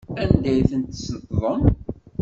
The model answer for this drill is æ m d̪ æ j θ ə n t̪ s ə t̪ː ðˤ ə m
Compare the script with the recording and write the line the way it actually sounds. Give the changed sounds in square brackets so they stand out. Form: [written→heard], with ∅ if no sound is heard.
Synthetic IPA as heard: æ [m→n] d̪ æ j θ ə n t̪ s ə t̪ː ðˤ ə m